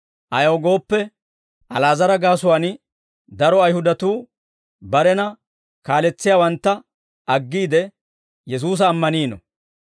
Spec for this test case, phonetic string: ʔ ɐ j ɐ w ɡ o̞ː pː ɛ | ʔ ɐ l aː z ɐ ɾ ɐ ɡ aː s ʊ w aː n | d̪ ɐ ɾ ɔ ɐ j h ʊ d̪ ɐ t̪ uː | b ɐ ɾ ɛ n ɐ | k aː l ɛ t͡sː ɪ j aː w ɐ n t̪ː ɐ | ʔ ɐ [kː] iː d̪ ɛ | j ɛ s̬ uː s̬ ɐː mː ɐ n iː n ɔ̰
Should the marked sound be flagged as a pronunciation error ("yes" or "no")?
yes